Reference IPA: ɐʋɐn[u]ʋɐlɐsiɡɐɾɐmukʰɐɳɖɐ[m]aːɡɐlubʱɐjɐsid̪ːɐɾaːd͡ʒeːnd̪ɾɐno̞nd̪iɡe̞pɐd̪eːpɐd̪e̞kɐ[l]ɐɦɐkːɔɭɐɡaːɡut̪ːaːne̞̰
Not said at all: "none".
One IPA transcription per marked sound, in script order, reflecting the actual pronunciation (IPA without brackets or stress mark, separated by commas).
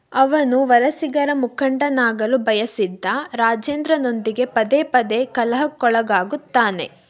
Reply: u, n, l